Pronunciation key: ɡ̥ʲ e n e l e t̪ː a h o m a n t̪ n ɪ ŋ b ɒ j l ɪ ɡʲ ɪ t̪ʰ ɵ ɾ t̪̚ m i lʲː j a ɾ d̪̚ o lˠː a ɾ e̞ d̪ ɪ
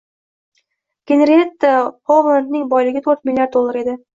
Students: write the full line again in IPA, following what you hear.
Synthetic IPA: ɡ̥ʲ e n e ɾ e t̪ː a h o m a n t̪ n ɪ ŋ b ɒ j l ɪ ɡʲ ɪ t̪ʰ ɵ ɾ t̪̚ m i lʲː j a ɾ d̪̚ o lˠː a ɾ e̞ d̪ ɪ